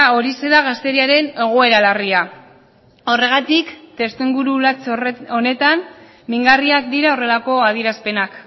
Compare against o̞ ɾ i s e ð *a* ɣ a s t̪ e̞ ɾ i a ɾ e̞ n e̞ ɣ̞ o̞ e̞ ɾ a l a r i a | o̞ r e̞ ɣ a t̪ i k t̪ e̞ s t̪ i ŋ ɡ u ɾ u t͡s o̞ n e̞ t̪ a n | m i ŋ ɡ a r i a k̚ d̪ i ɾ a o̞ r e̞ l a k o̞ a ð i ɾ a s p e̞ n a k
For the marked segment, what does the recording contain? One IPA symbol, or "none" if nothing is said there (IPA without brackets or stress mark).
a